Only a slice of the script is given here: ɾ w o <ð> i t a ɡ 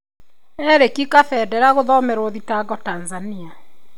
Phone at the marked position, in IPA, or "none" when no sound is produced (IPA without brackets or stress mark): ð